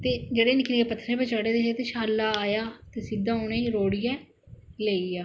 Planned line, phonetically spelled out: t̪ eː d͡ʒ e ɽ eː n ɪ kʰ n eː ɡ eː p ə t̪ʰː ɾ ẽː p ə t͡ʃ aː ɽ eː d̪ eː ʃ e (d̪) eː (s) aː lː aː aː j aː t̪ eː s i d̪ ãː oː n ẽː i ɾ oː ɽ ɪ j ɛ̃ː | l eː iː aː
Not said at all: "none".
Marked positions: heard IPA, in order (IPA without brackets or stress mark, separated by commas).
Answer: t̪, ʃ